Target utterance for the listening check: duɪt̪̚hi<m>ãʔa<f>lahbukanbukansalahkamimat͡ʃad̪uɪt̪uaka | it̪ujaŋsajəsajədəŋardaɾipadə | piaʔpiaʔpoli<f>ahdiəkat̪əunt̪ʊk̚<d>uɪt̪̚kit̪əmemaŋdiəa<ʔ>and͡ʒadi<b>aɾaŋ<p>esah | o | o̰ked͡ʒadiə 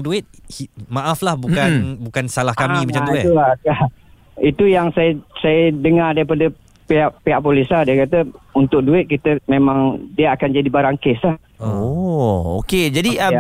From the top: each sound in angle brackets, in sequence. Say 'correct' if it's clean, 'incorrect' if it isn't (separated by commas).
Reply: correct, correct, incorrect, correct, incorrect, correct, incorrect